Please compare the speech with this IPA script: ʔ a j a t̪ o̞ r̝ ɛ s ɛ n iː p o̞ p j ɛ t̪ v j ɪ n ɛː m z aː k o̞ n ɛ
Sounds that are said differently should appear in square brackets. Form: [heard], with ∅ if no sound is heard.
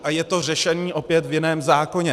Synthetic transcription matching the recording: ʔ a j [ɛ] t̪ o̞ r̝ ɛ [ʃ] ɛ n iː [ʔ] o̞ p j ɛ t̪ v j ɪ n ɛː m z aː k o̞ [ɲ] ɛ